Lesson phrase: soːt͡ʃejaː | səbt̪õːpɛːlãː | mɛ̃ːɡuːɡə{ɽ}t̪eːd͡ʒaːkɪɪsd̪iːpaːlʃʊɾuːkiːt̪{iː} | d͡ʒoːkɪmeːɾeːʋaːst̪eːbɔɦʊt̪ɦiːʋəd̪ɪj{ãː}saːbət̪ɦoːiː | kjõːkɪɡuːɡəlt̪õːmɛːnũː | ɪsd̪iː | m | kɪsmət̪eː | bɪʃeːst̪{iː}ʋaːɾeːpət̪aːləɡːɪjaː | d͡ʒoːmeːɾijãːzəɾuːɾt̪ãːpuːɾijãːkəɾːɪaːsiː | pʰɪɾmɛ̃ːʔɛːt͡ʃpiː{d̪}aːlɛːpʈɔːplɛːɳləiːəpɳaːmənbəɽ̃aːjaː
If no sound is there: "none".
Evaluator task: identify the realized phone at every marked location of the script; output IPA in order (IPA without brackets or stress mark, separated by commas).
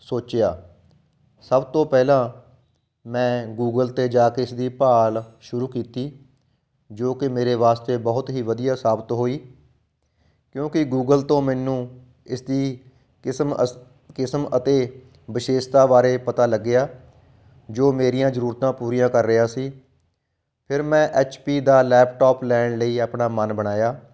l, iː, aː, aː, d̪